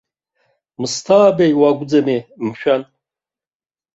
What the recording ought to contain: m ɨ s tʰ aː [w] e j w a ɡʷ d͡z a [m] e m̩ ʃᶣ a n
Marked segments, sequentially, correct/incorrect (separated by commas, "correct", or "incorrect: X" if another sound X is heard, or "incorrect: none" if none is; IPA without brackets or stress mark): incorrect: b, correct